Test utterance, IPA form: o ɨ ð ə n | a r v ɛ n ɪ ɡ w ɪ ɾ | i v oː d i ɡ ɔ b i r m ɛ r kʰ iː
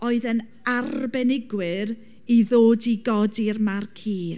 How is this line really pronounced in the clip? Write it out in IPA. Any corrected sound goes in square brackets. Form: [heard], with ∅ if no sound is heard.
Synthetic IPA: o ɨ ð ə n | a r [b] ɛ n ɪ ɡ w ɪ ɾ | i [ð] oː d i ɡ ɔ [d] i r m [a] r kʰ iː